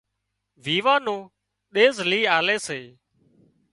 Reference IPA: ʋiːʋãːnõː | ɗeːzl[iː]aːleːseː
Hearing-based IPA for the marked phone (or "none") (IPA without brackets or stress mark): iː